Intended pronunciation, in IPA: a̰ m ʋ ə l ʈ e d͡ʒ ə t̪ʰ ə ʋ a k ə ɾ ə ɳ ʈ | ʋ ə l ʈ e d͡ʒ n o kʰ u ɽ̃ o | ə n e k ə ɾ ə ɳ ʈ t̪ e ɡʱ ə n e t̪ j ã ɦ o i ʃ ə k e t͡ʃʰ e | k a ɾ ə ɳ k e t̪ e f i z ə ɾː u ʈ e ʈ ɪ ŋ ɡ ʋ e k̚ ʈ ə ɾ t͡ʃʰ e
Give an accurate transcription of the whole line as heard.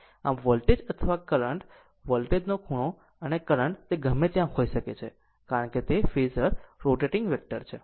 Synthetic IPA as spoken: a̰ m ʋ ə l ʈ e d͡ʒ ə t̪ʰ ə ʋ a k ə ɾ ə ɳ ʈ | ʋ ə l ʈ e d͡ʒ n o kʰ u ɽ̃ o | ə n e k ə ɾ ə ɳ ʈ t̪ e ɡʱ ə m e t̪ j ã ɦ o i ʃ ə k e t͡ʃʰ e | k a ɾ ə ɳ k e t̪ e f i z ə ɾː o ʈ e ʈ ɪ ŋ ɡ ʋ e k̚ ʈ ə ɾ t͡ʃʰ e